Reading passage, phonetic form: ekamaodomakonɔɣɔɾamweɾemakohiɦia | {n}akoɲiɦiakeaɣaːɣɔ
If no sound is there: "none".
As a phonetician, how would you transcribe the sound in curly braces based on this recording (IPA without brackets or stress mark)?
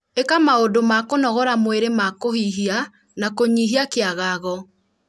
n